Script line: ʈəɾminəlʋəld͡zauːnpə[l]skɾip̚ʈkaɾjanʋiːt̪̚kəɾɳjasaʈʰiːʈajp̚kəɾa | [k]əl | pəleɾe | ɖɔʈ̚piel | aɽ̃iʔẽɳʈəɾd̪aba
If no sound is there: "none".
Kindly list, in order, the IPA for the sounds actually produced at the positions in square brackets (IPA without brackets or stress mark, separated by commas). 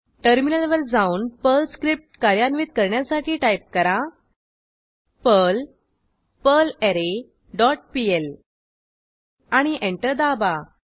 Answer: l, p